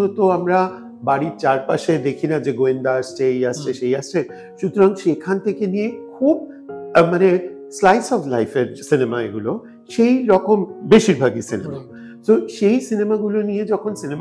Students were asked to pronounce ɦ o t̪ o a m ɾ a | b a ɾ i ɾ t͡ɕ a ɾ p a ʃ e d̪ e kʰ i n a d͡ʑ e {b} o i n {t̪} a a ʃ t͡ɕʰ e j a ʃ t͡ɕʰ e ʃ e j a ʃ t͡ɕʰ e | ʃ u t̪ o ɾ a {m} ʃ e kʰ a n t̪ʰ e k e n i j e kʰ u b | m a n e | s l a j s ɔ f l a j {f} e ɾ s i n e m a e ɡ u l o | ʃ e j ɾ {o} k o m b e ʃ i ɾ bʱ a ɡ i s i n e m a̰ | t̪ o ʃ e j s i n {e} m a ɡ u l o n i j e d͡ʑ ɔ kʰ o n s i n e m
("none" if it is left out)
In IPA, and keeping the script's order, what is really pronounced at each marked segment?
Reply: ɡ, d̪, ŋ, f, ɔ, e

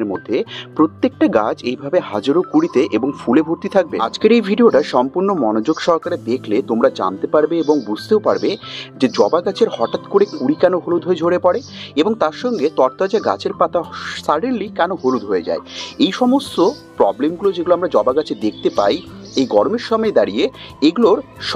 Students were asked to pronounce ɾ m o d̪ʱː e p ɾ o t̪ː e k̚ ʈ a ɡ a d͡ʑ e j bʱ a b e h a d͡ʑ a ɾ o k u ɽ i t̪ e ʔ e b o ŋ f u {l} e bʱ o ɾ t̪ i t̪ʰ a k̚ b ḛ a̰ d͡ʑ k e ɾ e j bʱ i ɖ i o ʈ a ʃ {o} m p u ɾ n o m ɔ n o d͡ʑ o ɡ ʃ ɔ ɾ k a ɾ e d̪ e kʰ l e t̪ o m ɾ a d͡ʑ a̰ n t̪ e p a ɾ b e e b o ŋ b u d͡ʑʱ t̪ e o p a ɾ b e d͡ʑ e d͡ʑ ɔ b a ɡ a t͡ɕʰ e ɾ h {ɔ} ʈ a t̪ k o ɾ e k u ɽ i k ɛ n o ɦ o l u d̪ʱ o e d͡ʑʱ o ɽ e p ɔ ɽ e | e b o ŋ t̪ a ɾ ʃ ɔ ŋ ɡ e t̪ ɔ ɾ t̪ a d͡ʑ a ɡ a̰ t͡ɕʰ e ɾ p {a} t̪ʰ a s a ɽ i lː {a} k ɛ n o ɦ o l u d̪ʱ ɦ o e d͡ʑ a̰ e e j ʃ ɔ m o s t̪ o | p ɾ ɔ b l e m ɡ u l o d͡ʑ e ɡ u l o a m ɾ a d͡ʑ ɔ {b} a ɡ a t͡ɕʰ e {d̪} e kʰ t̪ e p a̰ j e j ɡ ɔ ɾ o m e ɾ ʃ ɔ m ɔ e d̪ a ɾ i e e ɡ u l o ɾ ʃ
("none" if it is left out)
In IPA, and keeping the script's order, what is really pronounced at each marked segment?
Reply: l, ɔ, ɔ, a, i, b, d̪

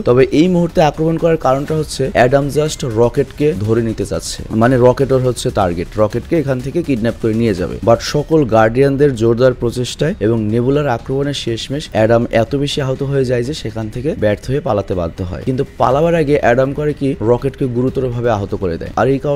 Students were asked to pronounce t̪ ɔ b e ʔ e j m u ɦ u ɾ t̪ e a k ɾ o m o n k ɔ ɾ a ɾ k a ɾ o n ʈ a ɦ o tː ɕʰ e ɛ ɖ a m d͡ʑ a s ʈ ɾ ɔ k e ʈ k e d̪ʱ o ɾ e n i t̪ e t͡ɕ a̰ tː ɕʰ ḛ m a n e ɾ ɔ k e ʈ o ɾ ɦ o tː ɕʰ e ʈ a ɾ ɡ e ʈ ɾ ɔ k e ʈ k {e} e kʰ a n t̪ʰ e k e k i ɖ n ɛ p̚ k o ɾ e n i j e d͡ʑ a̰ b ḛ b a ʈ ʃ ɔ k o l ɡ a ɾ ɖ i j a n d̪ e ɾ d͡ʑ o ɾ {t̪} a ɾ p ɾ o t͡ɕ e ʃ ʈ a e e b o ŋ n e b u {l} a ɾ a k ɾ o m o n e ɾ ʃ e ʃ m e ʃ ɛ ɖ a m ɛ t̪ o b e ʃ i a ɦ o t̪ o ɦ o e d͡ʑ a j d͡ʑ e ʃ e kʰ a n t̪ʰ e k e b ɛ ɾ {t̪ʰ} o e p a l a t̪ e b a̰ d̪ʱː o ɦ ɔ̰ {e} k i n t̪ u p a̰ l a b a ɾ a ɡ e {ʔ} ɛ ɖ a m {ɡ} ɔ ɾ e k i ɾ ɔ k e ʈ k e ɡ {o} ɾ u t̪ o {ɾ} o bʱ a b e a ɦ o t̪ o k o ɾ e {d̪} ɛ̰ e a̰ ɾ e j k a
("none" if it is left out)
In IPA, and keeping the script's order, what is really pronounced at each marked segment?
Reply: e, d̪, l, t̪ʰ, e, ʔ, k, u, ɾ, d̪

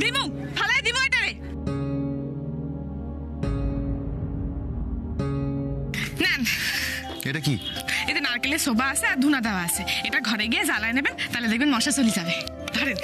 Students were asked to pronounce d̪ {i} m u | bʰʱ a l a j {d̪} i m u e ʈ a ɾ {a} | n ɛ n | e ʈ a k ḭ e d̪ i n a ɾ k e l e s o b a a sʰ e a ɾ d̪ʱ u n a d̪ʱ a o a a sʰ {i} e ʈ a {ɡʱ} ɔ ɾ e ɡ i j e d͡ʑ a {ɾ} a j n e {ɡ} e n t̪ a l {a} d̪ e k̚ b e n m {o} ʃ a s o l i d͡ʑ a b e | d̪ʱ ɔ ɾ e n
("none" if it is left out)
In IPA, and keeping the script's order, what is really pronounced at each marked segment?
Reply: i, d̪, e, e, ɡʱ, l, b, e, ɔ

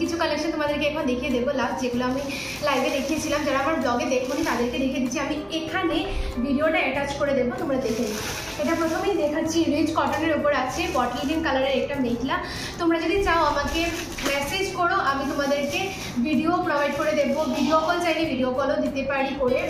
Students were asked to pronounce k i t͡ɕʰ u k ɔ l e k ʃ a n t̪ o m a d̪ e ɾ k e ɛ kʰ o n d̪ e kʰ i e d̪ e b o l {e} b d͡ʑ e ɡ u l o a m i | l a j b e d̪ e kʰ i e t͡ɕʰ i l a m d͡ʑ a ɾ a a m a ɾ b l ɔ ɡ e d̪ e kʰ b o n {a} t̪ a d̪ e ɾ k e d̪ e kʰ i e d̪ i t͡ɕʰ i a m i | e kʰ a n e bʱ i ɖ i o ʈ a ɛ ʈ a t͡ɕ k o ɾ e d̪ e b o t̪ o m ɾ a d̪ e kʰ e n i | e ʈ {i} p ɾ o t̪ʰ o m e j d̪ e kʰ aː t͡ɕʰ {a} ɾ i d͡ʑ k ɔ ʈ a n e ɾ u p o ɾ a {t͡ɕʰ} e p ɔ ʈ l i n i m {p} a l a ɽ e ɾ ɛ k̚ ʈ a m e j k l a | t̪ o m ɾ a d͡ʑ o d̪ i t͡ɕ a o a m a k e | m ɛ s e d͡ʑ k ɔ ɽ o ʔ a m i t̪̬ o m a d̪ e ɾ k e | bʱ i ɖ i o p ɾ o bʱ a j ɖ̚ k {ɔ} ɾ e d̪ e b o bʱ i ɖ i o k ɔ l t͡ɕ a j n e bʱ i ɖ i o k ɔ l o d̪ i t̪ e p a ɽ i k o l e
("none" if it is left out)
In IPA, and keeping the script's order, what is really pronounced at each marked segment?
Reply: a, i, a, i, t͡ɕʰ, k, o

